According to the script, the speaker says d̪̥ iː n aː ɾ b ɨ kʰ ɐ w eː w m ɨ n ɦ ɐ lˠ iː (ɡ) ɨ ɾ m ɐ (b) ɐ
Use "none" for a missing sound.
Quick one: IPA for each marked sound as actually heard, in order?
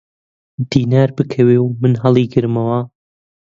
ɡ, w

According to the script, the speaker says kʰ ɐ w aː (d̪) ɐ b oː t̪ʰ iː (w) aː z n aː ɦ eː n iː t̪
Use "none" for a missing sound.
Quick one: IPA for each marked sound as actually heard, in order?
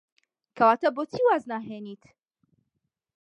t̪, w

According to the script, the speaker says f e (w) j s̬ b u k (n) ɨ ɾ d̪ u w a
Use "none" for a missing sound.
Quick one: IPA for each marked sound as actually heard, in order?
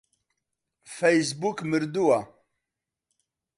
none, m

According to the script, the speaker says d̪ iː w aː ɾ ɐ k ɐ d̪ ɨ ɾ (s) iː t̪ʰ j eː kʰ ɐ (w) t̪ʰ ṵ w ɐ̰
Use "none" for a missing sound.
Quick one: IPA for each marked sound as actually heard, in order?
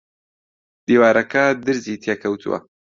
z, w

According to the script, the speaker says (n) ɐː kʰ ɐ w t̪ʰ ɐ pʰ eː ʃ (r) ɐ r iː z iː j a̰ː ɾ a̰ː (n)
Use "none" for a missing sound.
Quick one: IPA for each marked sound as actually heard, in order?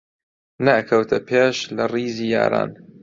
n, l, n

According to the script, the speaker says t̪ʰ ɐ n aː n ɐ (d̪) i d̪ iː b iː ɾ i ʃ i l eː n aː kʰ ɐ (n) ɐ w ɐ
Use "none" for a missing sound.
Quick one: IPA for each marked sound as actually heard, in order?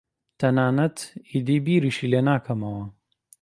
t̪, m

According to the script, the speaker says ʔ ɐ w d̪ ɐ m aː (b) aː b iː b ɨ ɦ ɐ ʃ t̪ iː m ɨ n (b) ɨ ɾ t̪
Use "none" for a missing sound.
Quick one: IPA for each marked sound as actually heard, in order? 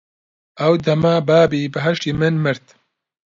b, m

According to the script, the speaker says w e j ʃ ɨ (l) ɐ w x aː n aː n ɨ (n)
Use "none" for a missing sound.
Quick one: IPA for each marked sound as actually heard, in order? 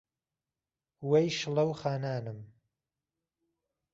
l, m

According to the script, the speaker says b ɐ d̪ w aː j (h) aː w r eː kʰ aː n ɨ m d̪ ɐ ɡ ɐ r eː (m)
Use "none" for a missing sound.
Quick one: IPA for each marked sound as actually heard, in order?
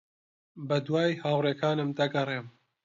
h, m

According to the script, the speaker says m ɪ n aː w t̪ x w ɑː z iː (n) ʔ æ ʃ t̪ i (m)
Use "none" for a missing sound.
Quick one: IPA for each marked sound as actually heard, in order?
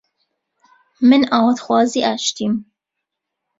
none, m

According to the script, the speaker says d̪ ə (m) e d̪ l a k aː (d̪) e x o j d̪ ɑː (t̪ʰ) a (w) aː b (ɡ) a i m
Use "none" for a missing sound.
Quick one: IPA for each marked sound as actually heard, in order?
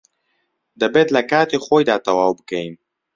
b, t̪, t̪, w, k

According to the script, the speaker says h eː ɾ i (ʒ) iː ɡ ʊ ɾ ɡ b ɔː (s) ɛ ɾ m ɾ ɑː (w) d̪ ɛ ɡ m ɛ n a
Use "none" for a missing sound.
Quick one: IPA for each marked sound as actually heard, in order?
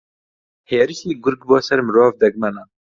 ʃ, s, v

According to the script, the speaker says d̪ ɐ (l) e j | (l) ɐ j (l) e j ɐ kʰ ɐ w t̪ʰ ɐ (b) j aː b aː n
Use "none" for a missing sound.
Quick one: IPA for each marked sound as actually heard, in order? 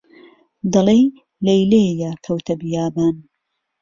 l, l, l, b

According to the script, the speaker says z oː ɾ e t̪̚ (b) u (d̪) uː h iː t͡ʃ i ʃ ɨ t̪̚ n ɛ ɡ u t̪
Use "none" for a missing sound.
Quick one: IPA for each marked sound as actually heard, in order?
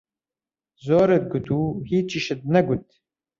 ɡ, t̪

